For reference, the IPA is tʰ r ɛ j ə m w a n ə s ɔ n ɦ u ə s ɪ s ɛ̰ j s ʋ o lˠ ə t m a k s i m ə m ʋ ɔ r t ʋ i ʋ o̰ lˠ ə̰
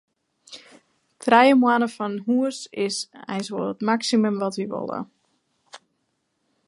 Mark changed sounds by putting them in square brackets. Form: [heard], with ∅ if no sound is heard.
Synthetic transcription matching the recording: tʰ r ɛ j ə m w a n ə [f] ɔ n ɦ u ə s ɪ s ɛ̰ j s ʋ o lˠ ə t m a k s i m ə m ʋ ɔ [∅] t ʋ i ʋ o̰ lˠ ə̰